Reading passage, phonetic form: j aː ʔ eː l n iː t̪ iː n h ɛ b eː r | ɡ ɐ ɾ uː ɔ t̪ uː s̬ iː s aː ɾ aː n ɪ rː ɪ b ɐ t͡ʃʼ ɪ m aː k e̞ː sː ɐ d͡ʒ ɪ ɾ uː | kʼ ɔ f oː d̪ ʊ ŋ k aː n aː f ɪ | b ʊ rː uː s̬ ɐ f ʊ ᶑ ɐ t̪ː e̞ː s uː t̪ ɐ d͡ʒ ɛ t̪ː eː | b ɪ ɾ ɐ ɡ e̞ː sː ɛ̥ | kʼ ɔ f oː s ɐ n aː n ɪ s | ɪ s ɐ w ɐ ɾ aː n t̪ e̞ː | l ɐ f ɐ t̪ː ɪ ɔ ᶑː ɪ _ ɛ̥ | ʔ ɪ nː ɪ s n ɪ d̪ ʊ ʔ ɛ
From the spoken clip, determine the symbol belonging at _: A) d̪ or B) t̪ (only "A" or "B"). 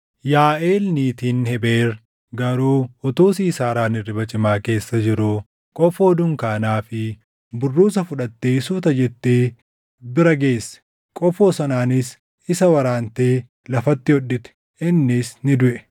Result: B